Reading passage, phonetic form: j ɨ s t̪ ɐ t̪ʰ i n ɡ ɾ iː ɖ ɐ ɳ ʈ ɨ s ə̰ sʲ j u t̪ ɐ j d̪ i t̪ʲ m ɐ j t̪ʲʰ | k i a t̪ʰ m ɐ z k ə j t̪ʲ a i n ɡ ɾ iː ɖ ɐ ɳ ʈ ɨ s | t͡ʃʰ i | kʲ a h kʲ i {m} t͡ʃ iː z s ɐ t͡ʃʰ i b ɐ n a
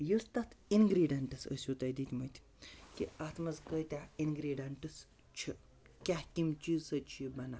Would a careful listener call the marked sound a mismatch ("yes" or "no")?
no